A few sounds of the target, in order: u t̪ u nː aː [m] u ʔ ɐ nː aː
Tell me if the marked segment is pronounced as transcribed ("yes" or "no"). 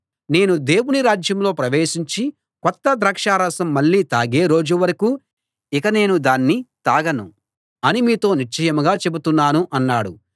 no